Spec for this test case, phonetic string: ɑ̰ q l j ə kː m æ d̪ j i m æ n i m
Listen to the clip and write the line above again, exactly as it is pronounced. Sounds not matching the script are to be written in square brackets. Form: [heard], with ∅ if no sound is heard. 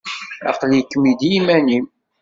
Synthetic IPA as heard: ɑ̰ q l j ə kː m [i] d̪ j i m æ n i m